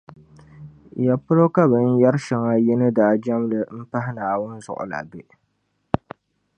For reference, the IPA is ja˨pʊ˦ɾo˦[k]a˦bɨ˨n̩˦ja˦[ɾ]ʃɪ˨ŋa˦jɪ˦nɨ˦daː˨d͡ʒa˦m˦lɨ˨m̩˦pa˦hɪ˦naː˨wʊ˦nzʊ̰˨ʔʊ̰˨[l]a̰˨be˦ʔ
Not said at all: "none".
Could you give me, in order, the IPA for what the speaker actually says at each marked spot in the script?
k, ɾ, l

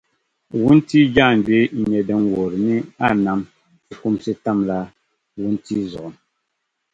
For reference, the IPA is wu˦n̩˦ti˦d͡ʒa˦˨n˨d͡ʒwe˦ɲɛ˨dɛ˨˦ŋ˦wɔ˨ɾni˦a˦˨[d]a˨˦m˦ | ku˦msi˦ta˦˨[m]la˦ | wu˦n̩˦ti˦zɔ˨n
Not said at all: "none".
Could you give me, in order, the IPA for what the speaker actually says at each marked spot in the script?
n, m

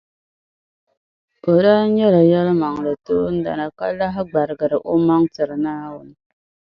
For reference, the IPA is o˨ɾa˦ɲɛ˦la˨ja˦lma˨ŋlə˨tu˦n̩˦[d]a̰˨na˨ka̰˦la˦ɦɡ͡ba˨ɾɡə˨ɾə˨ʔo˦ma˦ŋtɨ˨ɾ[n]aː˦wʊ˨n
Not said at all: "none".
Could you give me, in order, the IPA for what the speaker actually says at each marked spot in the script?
d, n

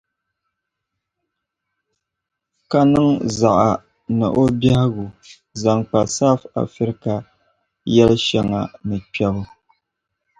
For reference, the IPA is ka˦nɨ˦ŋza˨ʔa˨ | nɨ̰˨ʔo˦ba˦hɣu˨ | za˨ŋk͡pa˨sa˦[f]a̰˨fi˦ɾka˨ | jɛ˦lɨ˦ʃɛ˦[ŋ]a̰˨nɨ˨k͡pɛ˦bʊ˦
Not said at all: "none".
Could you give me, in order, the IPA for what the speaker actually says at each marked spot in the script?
f, ŋ

